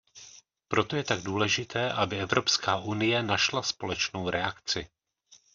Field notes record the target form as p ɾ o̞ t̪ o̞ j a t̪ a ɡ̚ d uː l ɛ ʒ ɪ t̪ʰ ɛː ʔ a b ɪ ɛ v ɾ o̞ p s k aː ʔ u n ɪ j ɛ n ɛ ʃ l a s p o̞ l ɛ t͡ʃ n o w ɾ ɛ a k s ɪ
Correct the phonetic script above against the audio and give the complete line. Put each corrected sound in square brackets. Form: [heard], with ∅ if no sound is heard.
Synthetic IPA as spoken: p ɾ o̞ t̪ o̞ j [ɛ] t̪ a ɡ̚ d uː l ɛ ʒ ɪ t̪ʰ ɛː ʔ a b ɪ ɛ v ɾ o̞ p s k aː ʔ u n ɪ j ɛ n [a] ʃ l a s p o̞ l ɛ t͡ʃ n o w ɾ ɛ a k [t͡s] ɪ